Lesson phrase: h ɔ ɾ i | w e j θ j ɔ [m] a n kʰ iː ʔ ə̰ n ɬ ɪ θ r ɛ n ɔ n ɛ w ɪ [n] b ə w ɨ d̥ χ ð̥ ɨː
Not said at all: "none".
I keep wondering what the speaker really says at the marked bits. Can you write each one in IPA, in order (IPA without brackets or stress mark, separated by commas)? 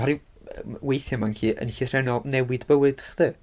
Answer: m, d